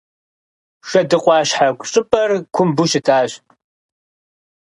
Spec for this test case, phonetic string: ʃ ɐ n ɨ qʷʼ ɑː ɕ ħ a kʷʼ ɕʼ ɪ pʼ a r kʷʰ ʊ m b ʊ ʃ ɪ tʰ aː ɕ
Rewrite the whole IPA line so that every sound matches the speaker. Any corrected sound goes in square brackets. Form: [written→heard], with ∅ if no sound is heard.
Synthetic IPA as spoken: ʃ ɐ [n→d] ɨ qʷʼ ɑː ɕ ħ a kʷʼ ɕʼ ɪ pʼ [a→ɐ] r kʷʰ ʊ m b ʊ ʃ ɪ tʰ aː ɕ